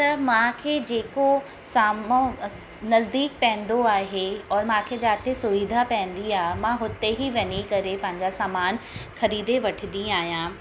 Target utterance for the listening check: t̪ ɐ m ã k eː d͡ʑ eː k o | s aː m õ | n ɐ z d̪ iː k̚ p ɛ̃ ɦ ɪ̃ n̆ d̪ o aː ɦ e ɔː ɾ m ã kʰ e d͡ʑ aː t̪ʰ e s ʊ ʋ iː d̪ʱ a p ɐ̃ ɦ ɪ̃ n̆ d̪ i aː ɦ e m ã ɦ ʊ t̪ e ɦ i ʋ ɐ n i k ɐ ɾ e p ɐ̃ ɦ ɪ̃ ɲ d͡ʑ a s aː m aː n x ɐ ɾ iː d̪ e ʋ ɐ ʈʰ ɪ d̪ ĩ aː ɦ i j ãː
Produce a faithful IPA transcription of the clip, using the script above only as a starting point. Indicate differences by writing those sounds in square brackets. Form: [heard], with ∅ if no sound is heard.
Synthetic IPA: t̪ ɐ m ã [kʰ] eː d͡ʑ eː k o | s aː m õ | n ɐ z d̪ iː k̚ p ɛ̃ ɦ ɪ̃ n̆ d̪ o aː ɦ e ɔː ɾ m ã kʰ e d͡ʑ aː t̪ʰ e s ʊ ʋ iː d̪ʱ a p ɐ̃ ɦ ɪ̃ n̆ d̪ i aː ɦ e m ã ɦ ʊ t̪ e ɦ i ʋ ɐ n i k ɐ ɾ e p ɐ̃ ɦ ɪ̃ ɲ d͡ʑ a s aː m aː n x ɐ ɾ iː d̪ e ʋ ɐ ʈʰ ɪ d̪ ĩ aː ɦ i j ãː